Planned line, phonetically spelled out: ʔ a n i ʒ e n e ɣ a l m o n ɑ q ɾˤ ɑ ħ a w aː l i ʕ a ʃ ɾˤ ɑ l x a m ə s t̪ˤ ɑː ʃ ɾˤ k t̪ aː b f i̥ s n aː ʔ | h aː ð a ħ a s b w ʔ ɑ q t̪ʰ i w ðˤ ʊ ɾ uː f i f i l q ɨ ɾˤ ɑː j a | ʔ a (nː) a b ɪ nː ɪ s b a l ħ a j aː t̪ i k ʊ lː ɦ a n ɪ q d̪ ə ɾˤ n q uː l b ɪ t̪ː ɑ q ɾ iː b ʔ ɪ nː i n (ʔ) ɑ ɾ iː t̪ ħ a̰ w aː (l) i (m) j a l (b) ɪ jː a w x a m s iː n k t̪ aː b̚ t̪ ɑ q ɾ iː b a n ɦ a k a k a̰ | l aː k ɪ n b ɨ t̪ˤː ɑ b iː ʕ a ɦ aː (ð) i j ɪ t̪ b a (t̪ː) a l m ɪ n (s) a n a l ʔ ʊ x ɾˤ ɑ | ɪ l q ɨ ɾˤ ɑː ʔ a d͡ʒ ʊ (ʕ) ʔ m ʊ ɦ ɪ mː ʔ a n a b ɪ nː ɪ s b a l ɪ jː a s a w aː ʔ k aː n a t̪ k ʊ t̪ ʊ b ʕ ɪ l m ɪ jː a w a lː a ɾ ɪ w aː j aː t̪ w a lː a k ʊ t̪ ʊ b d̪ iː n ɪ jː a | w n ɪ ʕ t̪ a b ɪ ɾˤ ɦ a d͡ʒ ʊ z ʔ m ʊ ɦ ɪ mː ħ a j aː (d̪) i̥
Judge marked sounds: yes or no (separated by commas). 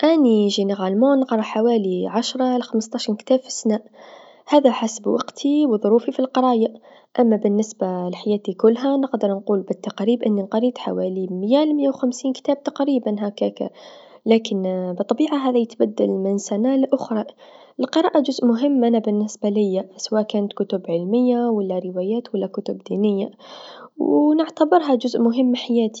no, no, yes, yes, no, yes, no, yes, no, no